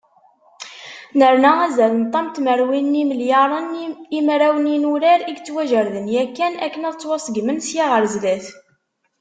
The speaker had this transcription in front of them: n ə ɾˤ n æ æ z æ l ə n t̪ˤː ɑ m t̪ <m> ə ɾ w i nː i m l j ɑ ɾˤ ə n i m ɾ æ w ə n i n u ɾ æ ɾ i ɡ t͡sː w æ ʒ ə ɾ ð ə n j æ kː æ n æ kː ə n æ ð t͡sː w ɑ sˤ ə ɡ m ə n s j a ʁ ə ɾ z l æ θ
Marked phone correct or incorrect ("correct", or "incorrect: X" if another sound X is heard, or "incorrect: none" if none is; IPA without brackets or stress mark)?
correct